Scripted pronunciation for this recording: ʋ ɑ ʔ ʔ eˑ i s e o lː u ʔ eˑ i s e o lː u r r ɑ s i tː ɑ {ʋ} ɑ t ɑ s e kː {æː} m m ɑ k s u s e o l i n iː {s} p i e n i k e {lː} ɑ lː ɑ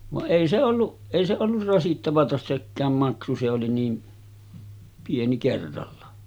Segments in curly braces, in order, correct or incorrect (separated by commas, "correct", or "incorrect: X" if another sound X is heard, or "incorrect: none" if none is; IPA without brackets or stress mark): correct, correct, incorrect: none, incorrect: rː